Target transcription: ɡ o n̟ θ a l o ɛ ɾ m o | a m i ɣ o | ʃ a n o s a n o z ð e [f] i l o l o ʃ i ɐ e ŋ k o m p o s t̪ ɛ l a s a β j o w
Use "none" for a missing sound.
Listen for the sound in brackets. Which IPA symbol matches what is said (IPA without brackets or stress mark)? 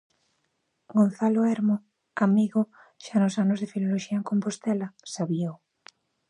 f